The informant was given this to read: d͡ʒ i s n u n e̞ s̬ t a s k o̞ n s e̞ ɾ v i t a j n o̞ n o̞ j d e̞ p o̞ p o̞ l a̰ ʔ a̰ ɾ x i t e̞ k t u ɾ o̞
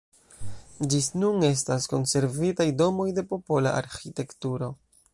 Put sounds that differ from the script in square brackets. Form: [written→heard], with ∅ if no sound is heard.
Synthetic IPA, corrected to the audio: d͡ʒ i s n u n e̞ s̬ t a s k o̞ n s e̞ ɾ v i t a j [n→d] o̞ [n→m] o̞ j d e̞ p o̞ p o̞ l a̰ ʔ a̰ ɾ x i t e̞ k t u ɾ o̞